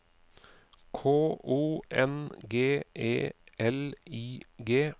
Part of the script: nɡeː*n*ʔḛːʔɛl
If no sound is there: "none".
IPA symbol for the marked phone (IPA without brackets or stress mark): none